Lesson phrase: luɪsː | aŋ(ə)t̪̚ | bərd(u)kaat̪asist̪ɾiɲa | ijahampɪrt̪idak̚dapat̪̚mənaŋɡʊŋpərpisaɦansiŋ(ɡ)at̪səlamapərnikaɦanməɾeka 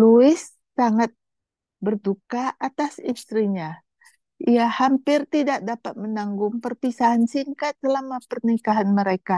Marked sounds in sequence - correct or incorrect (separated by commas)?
incorrect, correct, incorrect